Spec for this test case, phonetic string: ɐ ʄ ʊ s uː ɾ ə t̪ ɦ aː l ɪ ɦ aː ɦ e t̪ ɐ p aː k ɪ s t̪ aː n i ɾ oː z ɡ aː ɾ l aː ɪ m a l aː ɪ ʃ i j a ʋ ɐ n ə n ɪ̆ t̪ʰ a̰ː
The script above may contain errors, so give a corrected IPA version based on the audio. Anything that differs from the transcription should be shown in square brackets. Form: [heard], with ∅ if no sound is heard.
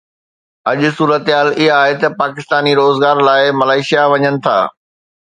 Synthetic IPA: ɐ ʄ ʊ s uː ɾ ə t̪ ɦ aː l ɪ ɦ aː ɦ e t̪ ɐ p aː k ɪ s t̪ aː n i ɾ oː z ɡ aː ɾ l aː ɪ m [ɐ] l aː ɪ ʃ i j a ʋ ɐ [ɲ] ə n ɪ̆ t̪ʰ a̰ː